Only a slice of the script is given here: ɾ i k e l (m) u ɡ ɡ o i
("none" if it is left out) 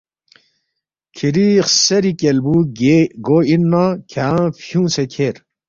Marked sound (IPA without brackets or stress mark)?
b